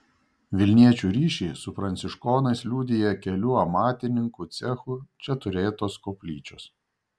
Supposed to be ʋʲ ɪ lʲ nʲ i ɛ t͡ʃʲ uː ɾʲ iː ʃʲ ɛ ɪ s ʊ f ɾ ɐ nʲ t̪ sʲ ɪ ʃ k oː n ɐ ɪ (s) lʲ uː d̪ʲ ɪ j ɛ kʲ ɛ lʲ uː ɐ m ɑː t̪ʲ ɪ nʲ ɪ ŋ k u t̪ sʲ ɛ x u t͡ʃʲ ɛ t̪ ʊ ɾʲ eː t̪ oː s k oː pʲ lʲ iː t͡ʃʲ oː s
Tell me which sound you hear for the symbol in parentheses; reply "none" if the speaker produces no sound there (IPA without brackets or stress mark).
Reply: s